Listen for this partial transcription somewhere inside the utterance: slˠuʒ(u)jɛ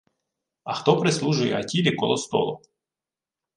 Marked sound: incorrect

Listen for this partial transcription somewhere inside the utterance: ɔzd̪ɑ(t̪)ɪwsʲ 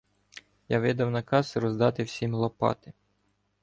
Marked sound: correct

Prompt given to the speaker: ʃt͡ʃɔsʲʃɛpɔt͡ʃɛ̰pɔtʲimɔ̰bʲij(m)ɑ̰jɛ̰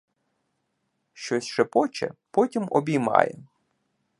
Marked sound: correct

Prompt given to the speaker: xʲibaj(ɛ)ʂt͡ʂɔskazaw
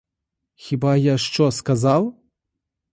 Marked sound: incorrect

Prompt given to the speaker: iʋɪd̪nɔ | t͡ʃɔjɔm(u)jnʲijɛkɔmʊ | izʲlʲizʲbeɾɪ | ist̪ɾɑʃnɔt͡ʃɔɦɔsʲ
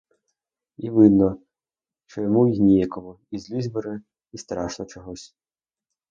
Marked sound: correct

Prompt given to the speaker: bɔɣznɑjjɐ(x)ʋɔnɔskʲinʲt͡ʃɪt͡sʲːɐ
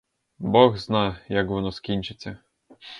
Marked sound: incorrect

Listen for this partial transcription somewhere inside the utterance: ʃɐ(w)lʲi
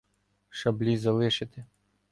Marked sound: incorrect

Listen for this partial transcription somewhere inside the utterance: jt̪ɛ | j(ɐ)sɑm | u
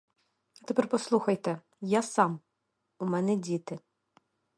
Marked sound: incorrect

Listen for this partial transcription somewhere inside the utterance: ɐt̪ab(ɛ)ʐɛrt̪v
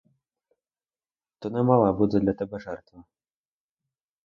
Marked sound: correct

